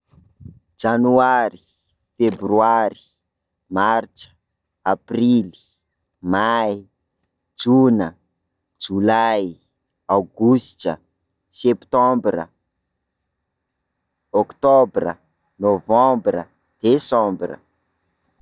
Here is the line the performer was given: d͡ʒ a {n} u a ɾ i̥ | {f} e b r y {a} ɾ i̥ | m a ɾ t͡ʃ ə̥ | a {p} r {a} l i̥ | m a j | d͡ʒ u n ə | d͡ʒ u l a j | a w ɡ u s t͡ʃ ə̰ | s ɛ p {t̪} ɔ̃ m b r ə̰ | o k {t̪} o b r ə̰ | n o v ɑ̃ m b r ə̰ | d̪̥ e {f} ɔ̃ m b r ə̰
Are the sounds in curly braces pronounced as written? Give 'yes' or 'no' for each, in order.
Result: yes, yes, yes, yes, no, yes, yes, no

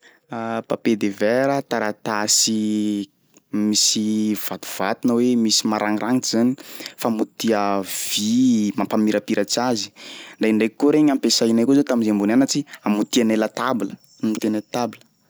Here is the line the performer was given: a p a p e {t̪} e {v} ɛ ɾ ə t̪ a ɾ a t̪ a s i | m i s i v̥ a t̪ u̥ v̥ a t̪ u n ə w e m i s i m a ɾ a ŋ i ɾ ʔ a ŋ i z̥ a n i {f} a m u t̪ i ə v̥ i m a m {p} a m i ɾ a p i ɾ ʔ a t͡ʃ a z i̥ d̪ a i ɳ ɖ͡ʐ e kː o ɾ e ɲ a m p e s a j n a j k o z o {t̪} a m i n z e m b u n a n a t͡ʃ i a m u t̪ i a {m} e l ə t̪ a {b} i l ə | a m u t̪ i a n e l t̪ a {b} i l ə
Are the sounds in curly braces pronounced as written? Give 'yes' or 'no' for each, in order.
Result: no, yes, yes, yes, yes, no, yes, yes

